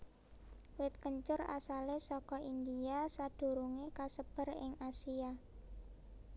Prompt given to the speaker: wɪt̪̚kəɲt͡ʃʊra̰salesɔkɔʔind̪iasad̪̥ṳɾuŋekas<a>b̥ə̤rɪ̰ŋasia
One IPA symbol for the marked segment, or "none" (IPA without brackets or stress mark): ə